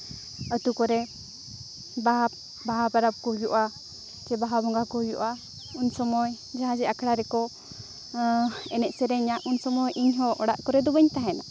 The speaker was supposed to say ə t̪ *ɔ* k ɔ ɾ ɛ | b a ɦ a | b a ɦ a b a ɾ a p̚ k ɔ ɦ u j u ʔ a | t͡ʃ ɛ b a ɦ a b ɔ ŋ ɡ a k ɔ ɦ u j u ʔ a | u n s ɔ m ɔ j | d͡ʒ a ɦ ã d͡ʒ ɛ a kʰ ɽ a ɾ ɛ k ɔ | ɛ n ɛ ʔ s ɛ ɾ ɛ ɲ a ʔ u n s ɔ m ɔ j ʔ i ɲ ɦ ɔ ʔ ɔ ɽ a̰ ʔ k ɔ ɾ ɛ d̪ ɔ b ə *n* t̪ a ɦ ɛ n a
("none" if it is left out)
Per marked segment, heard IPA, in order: u, ɲ

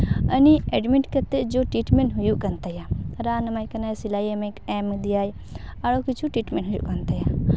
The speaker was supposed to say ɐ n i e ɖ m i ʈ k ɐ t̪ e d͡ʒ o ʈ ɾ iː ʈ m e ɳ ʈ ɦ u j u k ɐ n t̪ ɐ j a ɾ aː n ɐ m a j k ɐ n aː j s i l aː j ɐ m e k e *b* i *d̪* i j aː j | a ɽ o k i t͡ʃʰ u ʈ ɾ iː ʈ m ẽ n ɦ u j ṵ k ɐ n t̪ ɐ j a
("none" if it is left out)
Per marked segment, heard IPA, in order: m, d̪

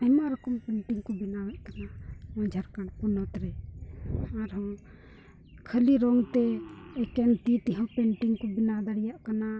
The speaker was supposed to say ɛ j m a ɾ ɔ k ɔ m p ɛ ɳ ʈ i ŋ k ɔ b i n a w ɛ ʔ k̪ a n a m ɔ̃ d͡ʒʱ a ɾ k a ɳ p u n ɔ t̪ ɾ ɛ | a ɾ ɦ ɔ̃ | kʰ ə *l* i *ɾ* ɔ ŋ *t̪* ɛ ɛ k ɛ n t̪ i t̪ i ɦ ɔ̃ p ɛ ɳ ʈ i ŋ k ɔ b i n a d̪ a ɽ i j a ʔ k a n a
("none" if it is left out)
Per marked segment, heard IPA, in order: l, ɾ, t̪

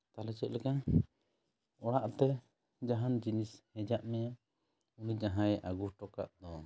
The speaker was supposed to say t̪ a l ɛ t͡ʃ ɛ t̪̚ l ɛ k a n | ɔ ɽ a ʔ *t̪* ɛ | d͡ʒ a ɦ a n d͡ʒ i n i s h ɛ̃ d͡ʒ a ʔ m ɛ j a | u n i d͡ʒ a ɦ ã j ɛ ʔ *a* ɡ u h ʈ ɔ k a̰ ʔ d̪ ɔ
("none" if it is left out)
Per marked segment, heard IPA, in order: t̪, a

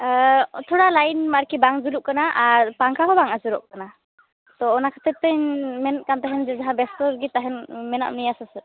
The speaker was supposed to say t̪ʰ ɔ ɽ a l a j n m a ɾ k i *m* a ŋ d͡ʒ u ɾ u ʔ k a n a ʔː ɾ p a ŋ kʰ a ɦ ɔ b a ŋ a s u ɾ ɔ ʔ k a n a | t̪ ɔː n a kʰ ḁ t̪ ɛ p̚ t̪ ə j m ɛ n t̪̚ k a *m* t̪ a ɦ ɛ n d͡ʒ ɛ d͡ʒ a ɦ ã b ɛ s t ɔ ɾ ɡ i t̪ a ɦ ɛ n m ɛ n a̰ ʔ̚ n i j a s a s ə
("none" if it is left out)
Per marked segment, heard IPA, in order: b, n

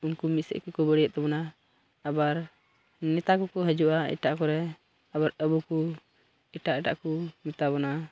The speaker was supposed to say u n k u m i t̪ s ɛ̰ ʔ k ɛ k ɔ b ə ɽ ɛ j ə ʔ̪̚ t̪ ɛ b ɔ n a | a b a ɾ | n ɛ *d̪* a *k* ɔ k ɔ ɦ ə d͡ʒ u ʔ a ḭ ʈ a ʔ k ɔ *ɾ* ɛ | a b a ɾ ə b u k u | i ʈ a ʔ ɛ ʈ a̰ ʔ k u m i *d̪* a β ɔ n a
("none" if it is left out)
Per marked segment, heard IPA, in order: t̪, k, ɾ, t̪

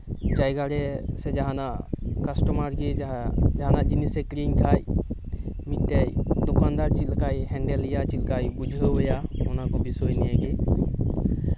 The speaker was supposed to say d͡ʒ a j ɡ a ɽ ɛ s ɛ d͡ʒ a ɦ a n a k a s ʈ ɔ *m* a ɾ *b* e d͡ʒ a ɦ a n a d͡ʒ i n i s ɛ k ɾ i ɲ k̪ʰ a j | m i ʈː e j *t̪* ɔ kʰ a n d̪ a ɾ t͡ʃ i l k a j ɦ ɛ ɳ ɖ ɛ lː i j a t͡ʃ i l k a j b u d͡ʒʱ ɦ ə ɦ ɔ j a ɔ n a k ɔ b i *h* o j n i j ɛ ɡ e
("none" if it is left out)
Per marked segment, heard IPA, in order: m, ɡ, d̪, s

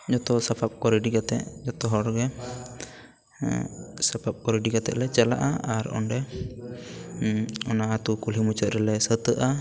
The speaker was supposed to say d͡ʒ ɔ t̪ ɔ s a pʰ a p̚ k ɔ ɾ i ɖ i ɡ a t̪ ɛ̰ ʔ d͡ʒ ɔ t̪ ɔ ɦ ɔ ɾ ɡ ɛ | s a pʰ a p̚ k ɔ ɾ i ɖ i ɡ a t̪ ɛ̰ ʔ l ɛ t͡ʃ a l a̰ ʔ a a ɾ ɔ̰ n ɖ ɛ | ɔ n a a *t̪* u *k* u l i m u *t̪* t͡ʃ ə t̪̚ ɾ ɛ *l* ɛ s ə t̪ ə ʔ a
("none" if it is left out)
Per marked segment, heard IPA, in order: t̪, k, none, l

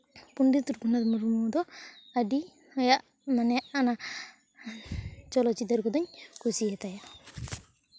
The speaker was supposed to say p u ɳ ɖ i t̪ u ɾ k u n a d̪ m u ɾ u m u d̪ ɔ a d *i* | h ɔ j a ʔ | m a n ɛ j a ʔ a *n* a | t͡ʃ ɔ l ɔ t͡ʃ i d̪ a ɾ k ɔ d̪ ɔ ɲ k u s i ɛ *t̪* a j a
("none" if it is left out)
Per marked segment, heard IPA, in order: i, n, t̪

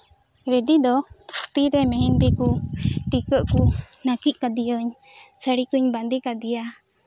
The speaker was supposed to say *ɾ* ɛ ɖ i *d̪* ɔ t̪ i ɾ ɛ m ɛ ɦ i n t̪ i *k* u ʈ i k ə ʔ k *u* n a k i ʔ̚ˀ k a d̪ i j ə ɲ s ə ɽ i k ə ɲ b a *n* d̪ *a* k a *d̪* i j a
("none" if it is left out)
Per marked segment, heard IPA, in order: ɾ, d̪, k, u, n, i, d̪

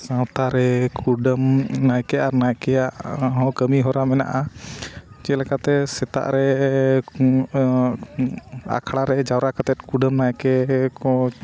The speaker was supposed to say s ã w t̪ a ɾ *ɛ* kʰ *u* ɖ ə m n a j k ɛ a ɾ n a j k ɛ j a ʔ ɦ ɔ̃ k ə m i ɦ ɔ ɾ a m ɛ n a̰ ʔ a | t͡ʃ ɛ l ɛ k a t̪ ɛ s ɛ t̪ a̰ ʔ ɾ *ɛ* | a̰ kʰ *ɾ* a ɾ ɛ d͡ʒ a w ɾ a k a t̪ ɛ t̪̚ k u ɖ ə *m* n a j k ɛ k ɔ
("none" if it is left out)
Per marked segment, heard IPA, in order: ɛ, u, ɛ, ɽ, m

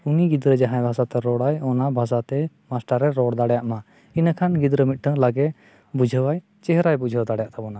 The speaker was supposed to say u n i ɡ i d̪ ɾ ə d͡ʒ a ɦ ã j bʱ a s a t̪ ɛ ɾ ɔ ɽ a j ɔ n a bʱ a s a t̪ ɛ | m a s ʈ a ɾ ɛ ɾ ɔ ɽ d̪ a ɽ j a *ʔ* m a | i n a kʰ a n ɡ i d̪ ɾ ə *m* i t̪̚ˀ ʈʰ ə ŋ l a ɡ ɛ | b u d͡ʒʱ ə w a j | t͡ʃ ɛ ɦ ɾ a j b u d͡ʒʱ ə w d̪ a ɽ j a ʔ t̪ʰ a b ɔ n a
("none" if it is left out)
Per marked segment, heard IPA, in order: ʔ, m

